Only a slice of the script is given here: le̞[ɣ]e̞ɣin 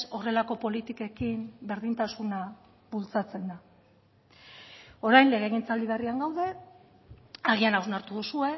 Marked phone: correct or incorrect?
correct